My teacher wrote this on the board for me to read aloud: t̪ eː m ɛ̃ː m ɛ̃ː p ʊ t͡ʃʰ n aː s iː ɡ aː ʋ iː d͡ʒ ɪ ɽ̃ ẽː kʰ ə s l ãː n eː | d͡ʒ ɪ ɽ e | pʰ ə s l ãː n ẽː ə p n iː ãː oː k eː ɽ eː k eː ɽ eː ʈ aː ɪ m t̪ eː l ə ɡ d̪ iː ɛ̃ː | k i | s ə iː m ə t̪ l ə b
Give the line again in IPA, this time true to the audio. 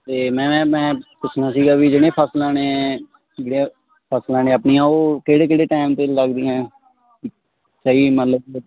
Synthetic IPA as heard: t̪ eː m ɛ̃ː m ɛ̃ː p ʊ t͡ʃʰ n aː s iː ɡ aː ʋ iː d͡ʒ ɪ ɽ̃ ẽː pʰ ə s l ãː n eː | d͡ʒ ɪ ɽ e | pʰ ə s l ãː n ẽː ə p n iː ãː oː k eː ɽ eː k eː ɽ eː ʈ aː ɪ m t̪ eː l ə ɡ d̪ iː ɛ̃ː | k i | s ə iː m ə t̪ l ə b